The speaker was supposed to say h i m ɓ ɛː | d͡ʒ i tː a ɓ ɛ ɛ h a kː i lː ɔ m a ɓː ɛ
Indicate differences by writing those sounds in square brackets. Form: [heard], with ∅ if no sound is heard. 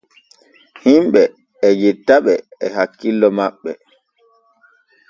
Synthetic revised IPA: h i m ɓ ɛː | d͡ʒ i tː a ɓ ɛ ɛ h a kː i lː ɔ m a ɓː ɛ